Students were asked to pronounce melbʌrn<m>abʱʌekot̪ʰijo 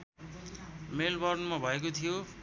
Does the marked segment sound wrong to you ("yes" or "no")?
no